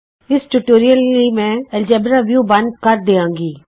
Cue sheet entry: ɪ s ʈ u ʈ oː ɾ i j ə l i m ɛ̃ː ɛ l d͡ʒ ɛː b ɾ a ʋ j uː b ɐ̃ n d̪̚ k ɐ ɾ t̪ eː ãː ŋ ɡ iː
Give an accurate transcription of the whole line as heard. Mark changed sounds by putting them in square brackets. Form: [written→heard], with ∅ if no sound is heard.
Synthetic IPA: ɪ s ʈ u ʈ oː ɾ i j ə l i m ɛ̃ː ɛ l d͡ʒ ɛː b ɾ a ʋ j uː b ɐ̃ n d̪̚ k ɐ ɾ [t̪→d̪] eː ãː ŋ ɡ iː